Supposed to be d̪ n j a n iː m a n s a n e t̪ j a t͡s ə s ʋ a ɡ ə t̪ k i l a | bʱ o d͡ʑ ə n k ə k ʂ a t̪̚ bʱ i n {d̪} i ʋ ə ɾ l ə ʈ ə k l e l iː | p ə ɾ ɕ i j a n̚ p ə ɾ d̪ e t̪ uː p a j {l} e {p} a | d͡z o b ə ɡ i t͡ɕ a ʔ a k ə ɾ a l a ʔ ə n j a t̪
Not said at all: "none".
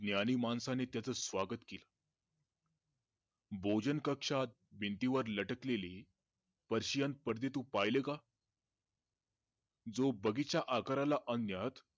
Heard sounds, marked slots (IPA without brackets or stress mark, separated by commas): t̪, l, k